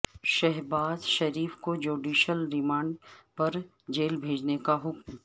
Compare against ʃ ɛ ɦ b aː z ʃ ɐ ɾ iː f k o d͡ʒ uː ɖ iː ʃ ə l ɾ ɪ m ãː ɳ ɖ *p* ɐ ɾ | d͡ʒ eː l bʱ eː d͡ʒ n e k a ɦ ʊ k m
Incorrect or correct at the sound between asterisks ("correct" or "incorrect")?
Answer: correct